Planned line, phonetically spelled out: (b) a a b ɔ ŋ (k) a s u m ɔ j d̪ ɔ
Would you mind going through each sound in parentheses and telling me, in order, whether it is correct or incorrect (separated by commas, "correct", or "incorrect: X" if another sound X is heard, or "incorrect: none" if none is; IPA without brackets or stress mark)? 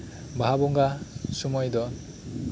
correct, incorrect: ɡ